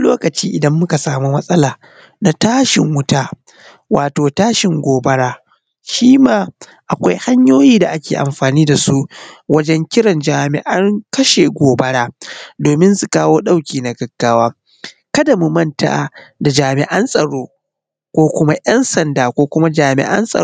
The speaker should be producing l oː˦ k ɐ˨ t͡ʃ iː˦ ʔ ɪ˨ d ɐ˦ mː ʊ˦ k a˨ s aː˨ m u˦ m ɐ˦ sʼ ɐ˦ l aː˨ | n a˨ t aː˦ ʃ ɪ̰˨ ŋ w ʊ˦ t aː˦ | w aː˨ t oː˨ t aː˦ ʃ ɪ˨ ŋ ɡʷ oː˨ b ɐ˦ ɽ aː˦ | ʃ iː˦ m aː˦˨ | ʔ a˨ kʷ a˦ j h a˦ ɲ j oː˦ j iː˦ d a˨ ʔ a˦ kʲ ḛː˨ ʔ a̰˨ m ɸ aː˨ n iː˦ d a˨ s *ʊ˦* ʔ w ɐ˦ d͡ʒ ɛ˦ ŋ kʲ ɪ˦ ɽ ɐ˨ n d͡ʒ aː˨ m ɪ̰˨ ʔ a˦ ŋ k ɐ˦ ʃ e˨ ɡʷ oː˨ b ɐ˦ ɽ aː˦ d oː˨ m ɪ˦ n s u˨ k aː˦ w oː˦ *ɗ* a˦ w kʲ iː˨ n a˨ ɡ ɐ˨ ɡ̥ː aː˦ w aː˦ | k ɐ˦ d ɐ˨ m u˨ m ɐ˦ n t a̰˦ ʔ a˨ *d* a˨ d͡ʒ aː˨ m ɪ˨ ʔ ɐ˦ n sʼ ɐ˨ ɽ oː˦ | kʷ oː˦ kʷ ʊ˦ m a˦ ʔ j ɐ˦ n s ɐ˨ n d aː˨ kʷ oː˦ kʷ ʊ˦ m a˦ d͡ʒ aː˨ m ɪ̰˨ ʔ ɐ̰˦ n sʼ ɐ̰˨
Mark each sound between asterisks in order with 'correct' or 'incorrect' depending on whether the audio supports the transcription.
incorrect: u˦, correct, correct

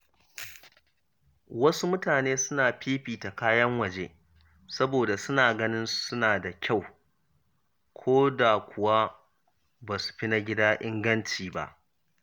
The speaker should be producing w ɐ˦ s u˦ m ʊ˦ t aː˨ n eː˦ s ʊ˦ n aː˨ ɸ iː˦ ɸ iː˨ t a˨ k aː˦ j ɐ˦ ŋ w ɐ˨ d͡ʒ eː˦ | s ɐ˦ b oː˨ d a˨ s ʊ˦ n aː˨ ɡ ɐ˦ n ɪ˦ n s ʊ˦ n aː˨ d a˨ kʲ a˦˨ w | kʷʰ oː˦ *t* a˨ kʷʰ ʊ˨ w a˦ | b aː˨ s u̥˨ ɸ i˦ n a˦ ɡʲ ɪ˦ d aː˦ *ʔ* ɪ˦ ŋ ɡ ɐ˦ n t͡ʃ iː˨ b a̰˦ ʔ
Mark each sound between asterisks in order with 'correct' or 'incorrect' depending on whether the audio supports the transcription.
incorrect: d, correct

